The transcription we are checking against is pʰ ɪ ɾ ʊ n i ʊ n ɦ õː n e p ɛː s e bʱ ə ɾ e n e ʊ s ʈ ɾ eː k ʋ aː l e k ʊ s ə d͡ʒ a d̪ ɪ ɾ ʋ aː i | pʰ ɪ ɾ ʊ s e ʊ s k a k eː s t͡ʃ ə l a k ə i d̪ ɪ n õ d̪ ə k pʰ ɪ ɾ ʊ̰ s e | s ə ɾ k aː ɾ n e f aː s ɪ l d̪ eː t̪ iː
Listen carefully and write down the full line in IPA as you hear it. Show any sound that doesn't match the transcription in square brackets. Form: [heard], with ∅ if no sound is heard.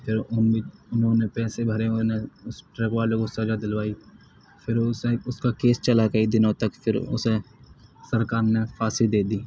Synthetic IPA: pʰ ɪ ɾ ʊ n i ʊ n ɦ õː n e p ɛː s e bʱ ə ɾ e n e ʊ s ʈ ɾ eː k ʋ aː l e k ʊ s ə d͡ʒ a d̪ ɪ [l] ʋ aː i | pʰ ɪ ɾ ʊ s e ʊ s k a k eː s t͡ʃ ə l a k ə i d̪ ɪ n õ [t̪] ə k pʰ ɪ ɾ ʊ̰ s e | s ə ɾ k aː ɾ n e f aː s ɪ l d̪ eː [d̪] iː